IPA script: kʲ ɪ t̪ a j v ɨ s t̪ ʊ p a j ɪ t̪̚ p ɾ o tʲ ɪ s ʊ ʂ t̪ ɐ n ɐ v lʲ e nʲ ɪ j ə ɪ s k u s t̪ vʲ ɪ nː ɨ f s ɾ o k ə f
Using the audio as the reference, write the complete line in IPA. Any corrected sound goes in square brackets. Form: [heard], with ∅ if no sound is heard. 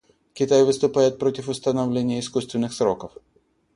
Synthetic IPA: kʲ ɪ t̪ a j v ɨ s t̪ ʊ p a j ɪ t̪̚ p ɾ o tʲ ɪ [f] ʊ [s] t̪ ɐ n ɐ v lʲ e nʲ ɪ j ə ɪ s k u s t̪ vʲ ɪ nː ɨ [x] s ɾ o k ə f